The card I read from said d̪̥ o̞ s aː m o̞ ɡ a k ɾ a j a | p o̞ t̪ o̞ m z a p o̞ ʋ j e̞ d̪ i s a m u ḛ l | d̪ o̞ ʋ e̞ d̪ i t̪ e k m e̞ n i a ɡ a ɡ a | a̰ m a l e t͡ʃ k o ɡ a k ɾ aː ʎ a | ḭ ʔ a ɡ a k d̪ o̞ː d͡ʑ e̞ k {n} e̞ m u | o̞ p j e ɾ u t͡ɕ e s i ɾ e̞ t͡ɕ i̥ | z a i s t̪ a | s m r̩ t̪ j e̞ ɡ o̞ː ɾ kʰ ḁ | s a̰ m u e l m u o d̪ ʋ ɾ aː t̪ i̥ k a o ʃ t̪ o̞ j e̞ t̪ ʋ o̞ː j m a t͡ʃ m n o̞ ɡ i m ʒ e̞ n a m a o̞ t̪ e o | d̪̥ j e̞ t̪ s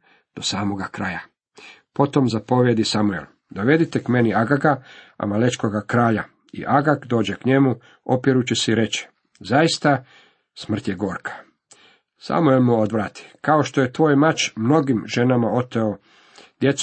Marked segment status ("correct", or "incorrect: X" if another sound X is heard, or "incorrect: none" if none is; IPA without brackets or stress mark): incorrect: ɲ